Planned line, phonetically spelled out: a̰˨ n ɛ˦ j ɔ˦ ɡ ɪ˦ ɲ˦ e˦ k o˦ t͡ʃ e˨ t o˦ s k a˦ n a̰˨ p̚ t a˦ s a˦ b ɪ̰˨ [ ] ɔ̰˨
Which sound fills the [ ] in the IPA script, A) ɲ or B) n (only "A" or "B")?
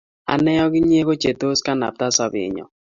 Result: A